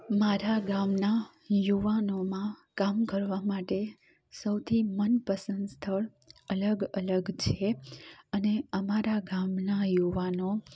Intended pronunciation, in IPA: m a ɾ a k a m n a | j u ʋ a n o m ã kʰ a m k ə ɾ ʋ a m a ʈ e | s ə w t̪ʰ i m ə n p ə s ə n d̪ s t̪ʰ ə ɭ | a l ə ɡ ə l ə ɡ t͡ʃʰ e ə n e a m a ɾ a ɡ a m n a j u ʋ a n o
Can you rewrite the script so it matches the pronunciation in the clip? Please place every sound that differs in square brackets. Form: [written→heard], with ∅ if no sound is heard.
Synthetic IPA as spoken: m a ɾ a [k→ɡ] a m n a | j u ʋ a n o m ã [kʰ→k] a m k ə ɾ ʋ a m a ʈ e | s ə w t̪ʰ i m ə n p ə s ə n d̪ s t̪ʰ ə ɭ | [a→ə] l ə ɡ ə l ə ɡ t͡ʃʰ e ə n e [a→ə] m a ɾ a ɡ a m n a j u ʋ a n o